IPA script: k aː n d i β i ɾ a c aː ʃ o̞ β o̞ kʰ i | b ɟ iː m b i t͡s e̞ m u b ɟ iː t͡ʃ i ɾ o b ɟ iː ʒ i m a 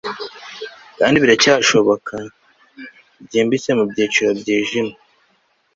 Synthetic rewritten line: k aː n d i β i ɾ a c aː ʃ o̞ β o̞ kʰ a | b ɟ iː m b i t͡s e̞ m u b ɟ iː t͡ʃ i ɾ o b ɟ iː ʒ i m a